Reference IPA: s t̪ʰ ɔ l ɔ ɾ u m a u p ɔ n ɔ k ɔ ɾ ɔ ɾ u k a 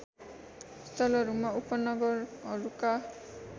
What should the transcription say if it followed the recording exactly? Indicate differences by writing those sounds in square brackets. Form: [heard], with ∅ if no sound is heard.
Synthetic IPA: s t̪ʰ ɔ l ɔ ɾ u m a u p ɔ n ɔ [ɡ] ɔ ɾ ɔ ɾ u k a